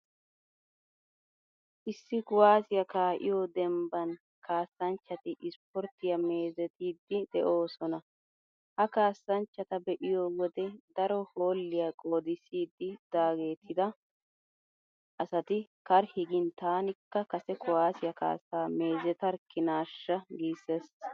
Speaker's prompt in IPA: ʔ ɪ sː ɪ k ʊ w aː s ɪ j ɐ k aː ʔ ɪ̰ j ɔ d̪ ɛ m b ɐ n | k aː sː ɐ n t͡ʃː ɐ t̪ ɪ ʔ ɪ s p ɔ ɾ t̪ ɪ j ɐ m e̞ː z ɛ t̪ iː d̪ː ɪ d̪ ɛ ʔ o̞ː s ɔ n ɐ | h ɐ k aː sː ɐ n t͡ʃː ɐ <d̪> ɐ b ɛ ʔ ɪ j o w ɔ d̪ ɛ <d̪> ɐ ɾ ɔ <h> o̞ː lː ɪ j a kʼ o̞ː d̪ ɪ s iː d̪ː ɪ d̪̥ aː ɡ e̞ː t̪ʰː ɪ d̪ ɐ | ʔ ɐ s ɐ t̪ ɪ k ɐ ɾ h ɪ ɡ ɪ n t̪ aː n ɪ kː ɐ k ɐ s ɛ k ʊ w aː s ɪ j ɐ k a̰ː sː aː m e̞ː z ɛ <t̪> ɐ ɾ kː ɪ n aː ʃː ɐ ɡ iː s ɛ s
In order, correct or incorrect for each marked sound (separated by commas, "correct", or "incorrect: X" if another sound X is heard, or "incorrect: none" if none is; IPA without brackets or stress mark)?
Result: incorrect: t̪, correct, correct, correct